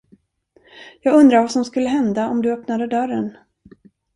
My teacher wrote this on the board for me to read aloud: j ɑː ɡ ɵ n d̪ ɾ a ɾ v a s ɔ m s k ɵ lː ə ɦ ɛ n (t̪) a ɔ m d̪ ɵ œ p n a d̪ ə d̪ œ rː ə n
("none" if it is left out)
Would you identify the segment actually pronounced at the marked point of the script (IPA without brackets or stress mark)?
d̪